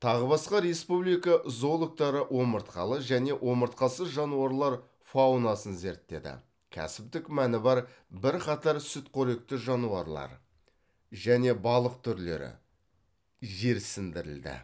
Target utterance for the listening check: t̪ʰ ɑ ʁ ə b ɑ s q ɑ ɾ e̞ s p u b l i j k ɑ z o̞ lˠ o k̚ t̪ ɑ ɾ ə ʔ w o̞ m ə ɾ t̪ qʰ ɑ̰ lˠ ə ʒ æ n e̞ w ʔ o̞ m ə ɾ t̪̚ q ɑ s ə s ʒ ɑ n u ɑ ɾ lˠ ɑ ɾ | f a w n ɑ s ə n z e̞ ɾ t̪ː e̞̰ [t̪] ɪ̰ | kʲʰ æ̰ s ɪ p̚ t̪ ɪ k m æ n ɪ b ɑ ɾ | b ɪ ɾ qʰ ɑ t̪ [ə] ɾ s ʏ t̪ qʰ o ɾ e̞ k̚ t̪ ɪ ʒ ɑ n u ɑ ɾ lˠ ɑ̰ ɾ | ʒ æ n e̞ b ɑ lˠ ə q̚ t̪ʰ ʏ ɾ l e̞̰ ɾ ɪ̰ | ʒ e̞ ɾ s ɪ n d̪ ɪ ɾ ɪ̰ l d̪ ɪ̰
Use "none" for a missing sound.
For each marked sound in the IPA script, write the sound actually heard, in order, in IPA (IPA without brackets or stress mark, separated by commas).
d̪, ɑ